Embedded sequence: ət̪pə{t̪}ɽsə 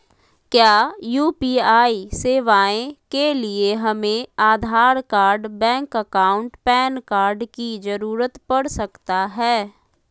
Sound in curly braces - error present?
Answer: yes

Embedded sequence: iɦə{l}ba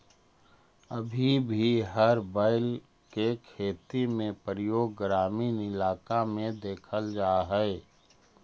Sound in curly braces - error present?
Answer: yes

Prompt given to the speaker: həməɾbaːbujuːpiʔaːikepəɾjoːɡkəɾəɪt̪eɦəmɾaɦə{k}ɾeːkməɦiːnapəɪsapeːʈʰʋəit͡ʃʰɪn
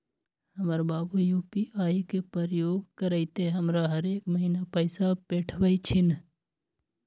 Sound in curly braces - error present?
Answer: yes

